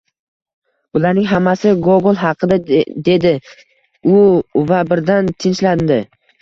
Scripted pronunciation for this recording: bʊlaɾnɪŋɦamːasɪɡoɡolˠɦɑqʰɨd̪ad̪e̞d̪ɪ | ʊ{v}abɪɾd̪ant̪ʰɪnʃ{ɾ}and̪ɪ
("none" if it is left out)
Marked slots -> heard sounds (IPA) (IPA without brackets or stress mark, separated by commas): v, l